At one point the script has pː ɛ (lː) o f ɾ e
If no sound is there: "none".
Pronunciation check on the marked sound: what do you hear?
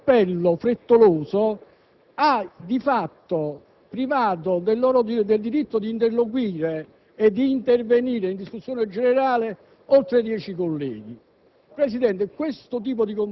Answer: lː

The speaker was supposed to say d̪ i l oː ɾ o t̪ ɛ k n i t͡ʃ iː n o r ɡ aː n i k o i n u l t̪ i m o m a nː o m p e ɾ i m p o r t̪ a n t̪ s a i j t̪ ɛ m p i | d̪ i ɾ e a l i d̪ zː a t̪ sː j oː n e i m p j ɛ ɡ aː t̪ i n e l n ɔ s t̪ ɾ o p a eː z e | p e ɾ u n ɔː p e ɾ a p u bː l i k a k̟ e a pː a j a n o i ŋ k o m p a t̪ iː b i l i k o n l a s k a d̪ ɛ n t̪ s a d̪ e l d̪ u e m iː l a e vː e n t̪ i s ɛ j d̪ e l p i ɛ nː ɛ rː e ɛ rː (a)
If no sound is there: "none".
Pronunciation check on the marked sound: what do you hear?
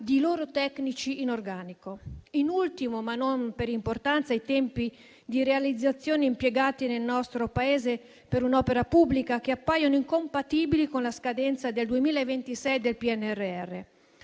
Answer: e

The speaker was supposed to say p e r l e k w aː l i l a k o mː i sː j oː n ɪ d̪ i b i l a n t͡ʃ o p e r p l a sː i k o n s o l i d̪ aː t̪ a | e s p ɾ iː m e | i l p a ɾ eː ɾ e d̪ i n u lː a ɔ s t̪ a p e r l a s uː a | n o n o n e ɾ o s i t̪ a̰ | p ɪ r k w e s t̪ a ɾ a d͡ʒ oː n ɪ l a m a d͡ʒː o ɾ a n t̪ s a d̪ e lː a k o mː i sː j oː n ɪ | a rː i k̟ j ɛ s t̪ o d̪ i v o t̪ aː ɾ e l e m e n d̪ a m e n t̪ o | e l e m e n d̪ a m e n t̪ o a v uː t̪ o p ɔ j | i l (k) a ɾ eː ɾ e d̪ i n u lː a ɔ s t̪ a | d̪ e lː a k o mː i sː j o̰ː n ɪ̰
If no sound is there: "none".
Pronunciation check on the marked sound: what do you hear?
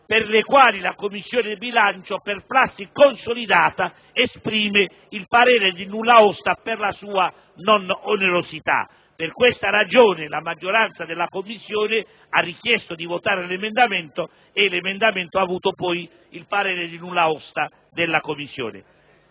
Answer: p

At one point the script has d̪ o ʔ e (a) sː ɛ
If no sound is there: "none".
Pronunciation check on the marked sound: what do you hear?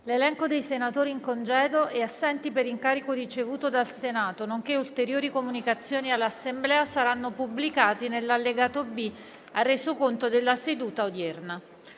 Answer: a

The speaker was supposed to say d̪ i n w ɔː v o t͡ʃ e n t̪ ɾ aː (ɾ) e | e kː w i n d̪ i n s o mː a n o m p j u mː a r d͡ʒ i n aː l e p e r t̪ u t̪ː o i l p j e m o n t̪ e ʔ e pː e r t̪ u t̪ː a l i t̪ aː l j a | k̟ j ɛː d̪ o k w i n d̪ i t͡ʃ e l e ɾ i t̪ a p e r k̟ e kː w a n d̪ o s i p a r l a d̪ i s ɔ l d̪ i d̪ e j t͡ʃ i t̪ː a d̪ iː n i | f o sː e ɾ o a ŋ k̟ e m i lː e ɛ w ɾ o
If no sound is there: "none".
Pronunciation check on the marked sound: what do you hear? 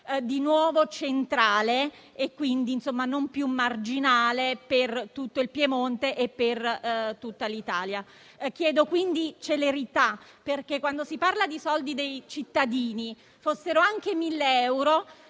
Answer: l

